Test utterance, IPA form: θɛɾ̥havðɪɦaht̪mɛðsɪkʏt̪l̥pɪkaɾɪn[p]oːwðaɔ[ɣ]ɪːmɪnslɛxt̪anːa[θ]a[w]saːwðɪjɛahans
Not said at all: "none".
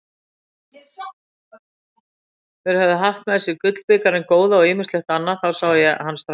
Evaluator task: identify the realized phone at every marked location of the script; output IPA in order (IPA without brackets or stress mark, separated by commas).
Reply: k, ɣ, θ, w